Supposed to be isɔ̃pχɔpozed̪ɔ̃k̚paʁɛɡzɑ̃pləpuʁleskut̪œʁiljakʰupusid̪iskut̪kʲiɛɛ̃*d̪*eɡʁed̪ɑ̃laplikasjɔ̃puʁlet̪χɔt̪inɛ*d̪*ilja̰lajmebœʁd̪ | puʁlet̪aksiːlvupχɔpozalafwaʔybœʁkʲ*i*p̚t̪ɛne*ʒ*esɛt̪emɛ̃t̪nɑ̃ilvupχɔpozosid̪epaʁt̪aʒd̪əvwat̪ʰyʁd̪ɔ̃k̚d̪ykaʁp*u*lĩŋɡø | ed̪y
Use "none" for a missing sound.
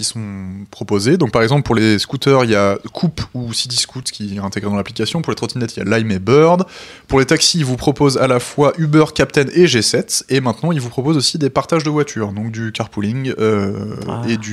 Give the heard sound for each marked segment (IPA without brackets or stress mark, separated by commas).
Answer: t̪, t̪, a, ʒ, u